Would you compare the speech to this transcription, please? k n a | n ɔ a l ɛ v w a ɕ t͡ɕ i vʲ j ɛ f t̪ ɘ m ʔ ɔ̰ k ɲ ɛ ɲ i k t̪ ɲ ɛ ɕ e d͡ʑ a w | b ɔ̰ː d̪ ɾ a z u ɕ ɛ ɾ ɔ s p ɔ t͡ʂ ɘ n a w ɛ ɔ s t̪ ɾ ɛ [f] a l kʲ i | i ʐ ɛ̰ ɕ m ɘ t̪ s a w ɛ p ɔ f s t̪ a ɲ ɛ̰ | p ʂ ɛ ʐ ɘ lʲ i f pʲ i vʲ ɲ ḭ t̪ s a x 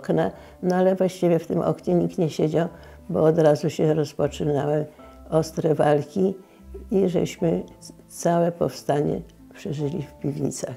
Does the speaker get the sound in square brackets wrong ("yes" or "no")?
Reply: yes